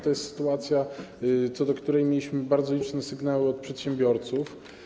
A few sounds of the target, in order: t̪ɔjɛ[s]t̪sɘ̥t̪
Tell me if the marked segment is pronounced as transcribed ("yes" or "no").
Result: yes